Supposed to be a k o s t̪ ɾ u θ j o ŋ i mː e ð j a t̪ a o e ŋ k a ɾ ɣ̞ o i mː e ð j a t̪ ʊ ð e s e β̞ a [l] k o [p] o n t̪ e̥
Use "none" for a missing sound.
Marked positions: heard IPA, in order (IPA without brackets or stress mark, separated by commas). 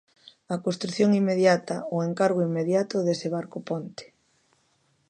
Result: ɾ, p